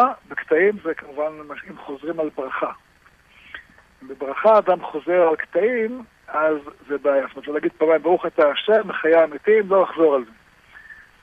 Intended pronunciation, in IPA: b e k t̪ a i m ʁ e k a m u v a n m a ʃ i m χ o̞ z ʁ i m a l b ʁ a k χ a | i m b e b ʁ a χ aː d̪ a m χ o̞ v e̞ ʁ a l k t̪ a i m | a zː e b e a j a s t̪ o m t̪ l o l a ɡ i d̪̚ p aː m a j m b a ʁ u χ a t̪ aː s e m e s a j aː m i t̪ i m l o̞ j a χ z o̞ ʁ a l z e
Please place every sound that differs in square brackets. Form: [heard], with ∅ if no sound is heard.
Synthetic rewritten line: b e k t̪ a i m [z] e k a m u v a n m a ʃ i m χ o̞ z ʁ i m a l b ʁ a [∅] χ a | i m b e b ʁ a χ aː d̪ a m χ o̞ [z] e̞ ʁ a l k t̪ a i m | a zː e b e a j a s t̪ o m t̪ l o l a ɡ i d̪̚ p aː m a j m b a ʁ u χ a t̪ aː [ʃ] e m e [χ] a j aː m i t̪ i m l o̞ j a χ z o̞ ʁ a l z e